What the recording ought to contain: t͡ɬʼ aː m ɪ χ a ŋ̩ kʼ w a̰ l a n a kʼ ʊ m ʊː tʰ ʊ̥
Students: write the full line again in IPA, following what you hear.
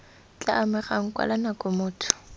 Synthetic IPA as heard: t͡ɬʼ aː m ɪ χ a ŋ̩ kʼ w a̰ l a n a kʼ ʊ m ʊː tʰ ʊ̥

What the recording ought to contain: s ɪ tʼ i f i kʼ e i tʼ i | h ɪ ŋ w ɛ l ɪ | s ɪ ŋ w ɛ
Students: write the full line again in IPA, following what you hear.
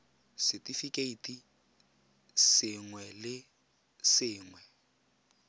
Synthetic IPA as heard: s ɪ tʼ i f i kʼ e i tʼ i | s ɪ ŋ w ɛ l ɪ | s ɪː ŋ w ɛ

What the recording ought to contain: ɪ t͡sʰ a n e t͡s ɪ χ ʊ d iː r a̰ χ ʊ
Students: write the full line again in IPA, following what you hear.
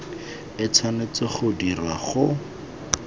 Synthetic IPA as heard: ɪ t͡sʰ a n e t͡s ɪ χ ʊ d i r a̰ χ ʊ

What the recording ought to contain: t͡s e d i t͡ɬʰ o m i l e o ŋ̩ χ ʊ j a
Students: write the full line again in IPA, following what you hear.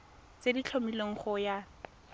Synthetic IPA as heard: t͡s e d i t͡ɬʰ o m i l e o ŋ̩ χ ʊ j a

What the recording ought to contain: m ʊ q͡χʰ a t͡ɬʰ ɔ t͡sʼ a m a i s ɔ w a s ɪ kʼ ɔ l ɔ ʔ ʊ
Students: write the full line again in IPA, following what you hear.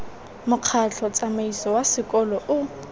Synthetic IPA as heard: m ʊ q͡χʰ a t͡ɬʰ ɔ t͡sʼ a m a i s ɔ w a s ɪ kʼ ɔ l ɔ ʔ ʊ

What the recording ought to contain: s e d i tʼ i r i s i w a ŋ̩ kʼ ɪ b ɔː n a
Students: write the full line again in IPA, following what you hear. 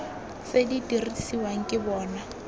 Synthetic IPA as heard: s e d i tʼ i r i s i w a ŋ̩ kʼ ɪ b ɔː n a

